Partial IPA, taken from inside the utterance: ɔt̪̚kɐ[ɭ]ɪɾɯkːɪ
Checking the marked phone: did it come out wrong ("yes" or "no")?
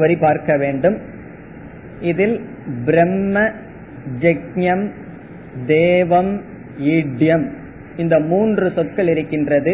no